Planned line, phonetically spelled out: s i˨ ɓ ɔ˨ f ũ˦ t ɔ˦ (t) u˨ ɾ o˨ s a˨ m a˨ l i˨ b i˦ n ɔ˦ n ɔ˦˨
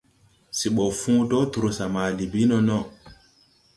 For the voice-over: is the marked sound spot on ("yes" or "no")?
yes